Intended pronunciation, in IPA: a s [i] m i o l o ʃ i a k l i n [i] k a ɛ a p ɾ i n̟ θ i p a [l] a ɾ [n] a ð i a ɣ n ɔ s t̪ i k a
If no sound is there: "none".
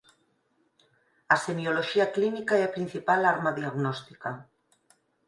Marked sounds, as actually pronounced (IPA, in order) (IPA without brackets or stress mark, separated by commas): e, i, l, m